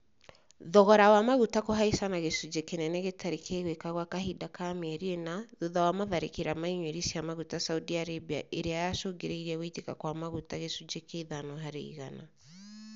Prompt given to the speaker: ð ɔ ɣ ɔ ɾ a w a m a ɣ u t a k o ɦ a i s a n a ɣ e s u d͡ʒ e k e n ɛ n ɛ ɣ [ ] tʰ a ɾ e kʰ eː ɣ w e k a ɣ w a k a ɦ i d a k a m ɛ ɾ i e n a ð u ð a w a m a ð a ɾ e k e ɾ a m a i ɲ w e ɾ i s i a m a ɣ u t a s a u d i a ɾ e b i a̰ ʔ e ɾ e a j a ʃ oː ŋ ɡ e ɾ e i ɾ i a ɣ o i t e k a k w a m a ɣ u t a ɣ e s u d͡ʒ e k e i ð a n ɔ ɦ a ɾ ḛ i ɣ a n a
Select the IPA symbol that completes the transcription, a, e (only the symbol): e